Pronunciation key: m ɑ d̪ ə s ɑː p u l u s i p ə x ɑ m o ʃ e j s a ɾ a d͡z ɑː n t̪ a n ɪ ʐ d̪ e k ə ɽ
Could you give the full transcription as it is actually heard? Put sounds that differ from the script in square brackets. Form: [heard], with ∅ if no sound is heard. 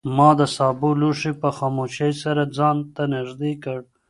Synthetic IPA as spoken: m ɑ d̪ ə s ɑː [b] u l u [ʂ] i p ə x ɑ m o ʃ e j s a ɾ a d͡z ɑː n t̪ a n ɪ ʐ d̪ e k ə ɽ